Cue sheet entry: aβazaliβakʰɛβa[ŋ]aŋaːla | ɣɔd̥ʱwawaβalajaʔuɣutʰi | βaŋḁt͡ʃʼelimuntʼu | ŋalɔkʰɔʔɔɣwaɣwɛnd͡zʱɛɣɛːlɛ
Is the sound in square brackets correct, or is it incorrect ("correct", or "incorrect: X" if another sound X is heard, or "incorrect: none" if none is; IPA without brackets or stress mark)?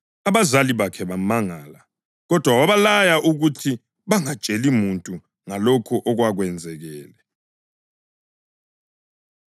incorrect: m